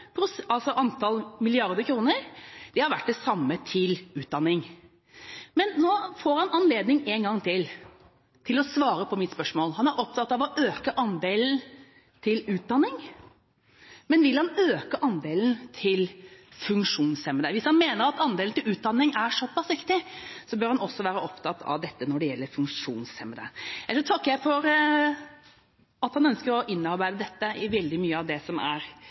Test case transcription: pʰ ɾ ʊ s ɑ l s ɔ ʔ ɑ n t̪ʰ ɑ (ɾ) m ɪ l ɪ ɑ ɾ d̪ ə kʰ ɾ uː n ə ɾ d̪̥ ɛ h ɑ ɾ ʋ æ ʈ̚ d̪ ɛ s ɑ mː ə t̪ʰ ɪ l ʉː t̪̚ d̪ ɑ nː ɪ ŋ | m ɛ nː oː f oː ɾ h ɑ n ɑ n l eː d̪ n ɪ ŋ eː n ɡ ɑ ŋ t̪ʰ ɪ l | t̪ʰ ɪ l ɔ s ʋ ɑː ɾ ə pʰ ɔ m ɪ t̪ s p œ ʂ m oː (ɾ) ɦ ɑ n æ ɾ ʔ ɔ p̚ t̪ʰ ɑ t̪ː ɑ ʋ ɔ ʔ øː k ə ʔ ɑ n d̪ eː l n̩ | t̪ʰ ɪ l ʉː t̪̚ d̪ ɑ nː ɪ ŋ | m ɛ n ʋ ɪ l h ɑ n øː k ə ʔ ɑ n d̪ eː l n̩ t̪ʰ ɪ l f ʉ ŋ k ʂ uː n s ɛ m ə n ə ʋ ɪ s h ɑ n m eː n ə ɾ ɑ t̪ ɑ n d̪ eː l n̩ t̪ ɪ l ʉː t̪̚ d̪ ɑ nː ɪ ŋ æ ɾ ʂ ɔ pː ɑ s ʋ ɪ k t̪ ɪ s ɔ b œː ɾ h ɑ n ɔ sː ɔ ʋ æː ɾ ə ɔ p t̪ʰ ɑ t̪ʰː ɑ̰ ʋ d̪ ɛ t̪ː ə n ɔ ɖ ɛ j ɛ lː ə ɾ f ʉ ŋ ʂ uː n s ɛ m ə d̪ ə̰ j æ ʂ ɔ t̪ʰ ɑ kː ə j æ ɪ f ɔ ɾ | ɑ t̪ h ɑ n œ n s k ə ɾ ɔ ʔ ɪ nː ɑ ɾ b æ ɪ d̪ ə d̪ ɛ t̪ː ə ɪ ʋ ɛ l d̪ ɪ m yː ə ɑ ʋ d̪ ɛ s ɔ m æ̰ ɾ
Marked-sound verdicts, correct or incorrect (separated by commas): incorrect, incorrect